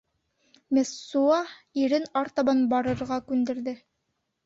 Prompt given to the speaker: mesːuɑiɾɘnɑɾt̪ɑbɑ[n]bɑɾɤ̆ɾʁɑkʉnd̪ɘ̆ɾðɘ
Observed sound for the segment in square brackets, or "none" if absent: n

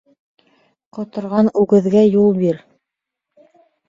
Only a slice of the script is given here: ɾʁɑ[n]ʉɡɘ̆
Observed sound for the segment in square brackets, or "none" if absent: n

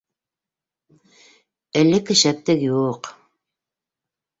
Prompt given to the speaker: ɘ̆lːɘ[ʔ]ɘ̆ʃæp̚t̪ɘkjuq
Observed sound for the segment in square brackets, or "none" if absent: k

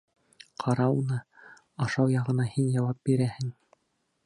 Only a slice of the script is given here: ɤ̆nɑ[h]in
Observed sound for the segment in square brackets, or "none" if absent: h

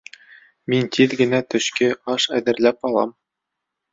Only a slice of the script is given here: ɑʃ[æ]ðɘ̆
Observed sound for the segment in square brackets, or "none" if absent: æ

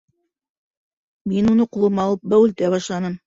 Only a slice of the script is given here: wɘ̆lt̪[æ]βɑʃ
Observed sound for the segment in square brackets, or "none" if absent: æ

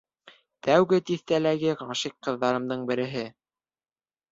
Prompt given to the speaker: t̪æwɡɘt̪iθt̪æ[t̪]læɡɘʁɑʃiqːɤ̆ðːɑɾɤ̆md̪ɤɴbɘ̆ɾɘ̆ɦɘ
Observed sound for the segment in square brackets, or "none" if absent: none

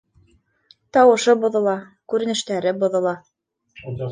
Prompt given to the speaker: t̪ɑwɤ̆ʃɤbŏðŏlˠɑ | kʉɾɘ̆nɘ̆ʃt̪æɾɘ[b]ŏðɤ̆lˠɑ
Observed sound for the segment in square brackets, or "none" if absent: b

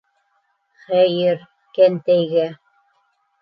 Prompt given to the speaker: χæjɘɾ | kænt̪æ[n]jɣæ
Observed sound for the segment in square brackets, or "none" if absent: none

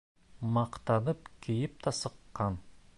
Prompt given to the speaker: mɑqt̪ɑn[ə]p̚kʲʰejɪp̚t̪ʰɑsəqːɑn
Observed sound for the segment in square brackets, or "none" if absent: ə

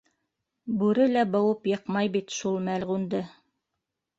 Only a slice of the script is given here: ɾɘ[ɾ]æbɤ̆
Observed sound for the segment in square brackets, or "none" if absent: l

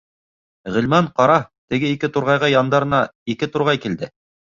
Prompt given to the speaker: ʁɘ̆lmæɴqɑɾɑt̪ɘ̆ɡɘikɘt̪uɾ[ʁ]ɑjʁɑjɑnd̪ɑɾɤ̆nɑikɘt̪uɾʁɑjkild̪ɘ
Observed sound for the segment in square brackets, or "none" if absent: ʁ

